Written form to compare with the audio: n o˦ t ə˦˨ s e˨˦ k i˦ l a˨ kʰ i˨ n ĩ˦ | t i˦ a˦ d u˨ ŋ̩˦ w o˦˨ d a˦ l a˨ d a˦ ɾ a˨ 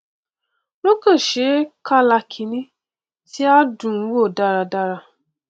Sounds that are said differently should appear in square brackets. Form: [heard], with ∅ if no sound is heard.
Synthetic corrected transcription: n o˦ [k] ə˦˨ [ʃ] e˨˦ k [a˦] l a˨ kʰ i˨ n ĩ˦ | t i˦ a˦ d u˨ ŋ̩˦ w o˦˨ d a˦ [ɾ] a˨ d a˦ ɾ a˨